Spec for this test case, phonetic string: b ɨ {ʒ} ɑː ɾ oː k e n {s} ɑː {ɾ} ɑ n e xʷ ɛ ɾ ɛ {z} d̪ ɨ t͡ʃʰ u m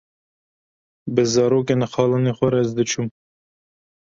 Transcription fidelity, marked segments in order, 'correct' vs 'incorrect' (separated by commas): incorrect, incorrect, incorrect, correct